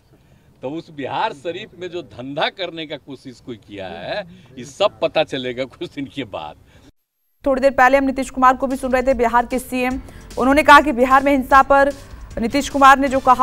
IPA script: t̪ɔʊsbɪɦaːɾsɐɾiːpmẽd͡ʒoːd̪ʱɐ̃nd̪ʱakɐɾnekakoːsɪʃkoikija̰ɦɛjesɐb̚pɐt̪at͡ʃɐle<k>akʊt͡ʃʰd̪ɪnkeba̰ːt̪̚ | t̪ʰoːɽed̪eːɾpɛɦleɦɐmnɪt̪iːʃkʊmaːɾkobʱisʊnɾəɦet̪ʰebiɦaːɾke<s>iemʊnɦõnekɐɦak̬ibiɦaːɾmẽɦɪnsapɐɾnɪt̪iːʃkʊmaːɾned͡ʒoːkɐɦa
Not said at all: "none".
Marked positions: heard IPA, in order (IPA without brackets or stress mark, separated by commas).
ɡ, s